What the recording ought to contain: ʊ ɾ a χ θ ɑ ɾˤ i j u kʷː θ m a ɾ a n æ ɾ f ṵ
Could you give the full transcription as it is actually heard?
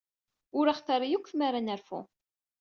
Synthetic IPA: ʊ ɾ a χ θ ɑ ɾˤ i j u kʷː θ m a ɾ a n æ ɾ f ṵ